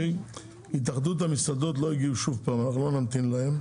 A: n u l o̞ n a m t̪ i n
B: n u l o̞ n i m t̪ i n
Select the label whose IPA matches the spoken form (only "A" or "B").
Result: A